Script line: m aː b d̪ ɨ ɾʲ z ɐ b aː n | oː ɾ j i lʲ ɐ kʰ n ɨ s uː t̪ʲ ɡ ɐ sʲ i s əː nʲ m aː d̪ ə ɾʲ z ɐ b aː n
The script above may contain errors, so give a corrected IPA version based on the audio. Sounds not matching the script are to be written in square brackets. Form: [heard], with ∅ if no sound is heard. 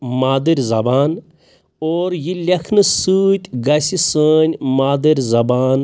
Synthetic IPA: m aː [∅] d̪ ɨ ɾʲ z ɐ b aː n | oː ɾ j i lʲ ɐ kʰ n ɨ s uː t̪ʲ ɡ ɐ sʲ i s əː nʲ m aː d̪ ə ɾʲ z ɐ b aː n